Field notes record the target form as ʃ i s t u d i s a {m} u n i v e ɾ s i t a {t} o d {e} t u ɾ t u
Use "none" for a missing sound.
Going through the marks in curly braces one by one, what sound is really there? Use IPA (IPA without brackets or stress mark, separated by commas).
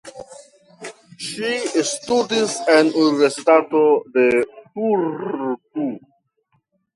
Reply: n, t, e